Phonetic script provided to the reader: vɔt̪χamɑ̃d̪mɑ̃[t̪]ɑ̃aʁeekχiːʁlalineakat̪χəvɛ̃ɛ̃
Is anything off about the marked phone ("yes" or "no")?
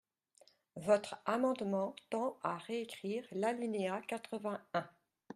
no